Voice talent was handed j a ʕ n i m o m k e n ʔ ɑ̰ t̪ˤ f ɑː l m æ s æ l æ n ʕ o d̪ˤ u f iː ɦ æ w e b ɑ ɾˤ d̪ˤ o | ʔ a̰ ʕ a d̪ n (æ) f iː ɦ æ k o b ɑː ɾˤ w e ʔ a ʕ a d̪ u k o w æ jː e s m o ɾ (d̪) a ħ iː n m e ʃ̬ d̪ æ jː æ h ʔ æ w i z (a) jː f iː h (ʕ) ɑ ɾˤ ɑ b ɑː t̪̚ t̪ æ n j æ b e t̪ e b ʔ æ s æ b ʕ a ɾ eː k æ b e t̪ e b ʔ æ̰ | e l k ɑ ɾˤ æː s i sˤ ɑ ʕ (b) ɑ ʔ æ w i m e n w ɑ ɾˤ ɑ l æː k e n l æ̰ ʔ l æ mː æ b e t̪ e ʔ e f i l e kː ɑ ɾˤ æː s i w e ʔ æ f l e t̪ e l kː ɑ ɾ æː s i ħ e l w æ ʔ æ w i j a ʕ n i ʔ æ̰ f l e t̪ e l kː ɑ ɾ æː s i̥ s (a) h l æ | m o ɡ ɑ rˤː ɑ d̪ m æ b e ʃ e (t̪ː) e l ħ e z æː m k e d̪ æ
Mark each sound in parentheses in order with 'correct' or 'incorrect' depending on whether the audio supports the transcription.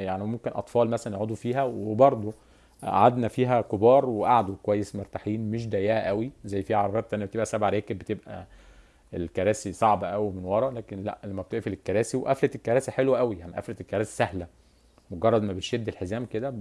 correct, incorrect: t̪, incorrect: æ, correct, correct, incorrect: æ, incorrect: d̪ː

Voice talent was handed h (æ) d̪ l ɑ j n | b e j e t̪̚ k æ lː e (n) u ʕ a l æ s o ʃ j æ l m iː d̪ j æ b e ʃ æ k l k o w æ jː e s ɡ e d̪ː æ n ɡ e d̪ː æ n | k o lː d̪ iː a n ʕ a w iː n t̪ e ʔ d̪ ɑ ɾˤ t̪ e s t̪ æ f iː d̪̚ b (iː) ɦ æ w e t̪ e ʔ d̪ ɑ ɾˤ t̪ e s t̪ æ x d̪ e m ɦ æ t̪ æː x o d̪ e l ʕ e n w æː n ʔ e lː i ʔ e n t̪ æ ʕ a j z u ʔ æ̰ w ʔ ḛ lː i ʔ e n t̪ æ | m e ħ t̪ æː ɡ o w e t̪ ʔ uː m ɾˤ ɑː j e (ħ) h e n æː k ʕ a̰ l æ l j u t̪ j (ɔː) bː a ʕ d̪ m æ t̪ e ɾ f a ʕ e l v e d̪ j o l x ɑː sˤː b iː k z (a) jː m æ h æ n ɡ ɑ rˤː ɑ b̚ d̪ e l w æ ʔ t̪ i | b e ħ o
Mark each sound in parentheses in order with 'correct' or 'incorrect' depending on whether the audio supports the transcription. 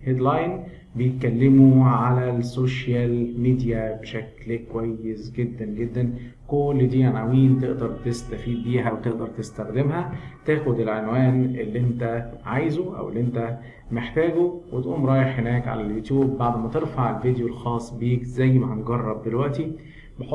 incorrect: e, incorrect: m, correct, correct, incorrect: uː, incorrect: æ

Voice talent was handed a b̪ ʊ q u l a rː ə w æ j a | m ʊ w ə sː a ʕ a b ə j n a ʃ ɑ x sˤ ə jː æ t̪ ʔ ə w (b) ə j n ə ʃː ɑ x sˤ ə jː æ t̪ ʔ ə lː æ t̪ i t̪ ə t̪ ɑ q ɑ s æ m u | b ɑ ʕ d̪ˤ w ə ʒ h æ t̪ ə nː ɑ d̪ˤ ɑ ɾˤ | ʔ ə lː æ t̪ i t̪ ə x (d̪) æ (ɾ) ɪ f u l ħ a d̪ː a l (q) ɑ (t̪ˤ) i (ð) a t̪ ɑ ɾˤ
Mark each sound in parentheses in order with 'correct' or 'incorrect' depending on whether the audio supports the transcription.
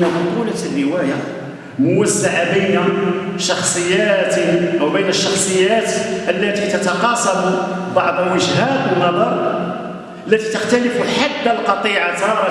correct, incorrect: t̪, incorrect: l, correct, correct, incorrect: ʕ

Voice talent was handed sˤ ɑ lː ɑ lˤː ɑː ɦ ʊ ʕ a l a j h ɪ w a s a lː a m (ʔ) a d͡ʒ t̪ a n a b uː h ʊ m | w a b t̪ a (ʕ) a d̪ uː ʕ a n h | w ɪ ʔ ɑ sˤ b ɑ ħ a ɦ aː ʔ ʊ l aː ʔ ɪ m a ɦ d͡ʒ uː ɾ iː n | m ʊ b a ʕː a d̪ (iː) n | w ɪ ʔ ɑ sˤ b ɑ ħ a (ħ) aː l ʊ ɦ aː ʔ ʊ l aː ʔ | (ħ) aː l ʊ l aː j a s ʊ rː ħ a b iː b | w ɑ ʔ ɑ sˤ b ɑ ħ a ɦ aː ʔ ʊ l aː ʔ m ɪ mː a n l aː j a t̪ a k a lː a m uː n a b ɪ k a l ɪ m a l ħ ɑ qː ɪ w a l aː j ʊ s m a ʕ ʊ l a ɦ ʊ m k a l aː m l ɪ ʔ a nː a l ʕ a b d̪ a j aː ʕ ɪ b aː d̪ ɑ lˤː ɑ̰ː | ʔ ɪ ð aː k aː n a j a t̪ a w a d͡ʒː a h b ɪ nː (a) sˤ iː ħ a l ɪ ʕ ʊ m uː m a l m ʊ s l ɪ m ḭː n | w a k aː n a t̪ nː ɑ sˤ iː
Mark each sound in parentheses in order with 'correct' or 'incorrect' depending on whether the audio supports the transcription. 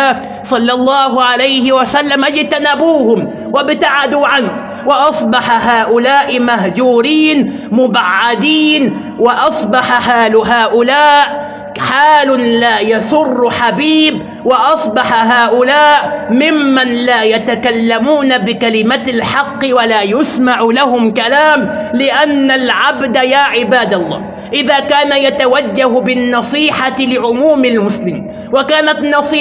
correct, correct, correct, correct, correct, incorrect: ɑ

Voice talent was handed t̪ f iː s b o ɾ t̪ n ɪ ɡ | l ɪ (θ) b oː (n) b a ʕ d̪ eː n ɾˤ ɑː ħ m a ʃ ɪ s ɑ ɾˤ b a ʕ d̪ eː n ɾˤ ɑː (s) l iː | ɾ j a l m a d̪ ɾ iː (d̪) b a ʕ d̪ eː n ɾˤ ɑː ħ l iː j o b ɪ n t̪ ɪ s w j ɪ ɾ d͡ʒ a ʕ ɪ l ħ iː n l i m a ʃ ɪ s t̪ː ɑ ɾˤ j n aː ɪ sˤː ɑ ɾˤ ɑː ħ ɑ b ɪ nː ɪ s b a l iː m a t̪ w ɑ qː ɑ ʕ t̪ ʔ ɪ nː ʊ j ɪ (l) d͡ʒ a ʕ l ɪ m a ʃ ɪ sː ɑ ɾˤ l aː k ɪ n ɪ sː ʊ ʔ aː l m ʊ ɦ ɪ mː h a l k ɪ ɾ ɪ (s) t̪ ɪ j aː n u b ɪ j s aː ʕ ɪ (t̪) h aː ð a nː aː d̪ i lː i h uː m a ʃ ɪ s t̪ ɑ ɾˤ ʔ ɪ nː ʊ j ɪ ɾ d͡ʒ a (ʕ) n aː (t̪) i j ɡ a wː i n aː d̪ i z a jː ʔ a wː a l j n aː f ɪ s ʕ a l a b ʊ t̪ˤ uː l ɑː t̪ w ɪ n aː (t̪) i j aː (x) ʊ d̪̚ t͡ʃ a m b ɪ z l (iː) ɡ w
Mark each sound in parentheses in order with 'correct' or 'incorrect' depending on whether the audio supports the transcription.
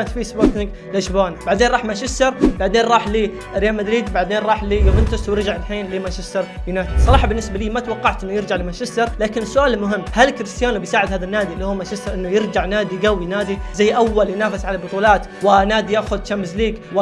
incorrect: ʃ, correct, incorrect: ħ, correct, incorrect: ɾ, correct, incorrect: d̪, correct, incorrect: d̪, incorrect: d̪, correct, correct

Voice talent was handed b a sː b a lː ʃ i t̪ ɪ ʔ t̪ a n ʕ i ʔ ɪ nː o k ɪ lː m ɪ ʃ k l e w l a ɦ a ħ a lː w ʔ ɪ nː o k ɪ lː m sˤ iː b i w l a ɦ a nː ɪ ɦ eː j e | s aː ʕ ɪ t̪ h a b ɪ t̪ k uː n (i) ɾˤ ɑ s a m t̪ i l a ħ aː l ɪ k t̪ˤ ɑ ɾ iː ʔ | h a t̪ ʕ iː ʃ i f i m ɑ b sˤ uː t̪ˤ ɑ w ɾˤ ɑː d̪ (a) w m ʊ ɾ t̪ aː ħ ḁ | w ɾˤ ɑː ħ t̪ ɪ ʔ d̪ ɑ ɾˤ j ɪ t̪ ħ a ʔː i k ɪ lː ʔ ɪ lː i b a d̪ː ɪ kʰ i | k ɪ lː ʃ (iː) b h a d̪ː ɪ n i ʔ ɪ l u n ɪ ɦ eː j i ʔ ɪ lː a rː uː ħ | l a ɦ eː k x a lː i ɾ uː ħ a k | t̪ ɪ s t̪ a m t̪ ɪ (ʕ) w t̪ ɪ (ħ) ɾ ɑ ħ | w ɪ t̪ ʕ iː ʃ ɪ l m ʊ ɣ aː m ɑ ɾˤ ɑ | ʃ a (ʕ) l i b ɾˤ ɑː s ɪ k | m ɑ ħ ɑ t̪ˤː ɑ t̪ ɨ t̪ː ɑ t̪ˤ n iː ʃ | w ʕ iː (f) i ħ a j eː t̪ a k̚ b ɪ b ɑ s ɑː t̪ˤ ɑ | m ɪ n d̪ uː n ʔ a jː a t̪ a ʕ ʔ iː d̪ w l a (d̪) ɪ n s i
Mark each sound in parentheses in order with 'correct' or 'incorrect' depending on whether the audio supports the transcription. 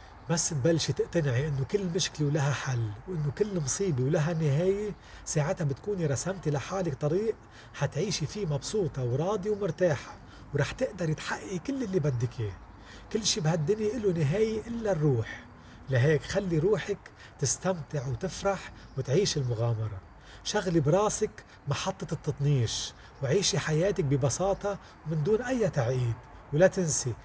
correct, incorrect: i, correct, correct, incorrect: f, incorrect: ɣ, incorrect: ʃ, incorrect: t̪

